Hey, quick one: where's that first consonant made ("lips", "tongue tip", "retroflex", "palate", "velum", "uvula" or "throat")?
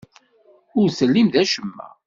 tongue tip